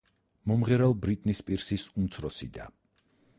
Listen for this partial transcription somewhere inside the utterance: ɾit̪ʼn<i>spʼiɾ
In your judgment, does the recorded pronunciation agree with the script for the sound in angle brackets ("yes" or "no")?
yes